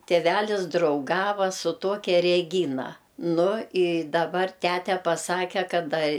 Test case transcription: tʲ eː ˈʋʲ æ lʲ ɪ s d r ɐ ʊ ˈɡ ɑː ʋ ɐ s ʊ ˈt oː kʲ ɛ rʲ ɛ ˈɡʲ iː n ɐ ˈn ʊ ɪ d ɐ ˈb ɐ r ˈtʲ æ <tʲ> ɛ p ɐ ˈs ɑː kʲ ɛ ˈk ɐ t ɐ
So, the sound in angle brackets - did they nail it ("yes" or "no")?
yes